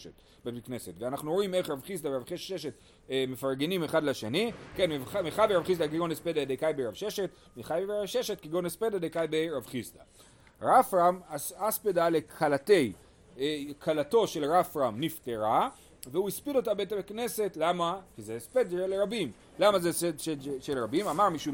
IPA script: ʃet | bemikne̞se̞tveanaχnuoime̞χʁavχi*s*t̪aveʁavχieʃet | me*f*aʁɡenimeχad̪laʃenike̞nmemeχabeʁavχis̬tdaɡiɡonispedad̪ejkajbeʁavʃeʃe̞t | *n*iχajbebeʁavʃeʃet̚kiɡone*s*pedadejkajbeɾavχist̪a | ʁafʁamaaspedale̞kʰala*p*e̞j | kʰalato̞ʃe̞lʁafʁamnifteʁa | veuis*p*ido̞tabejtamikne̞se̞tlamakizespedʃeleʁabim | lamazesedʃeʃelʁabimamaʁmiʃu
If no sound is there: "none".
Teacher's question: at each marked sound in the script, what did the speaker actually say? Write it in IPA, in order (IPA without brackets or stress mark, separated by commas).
s, f, m, s, t, p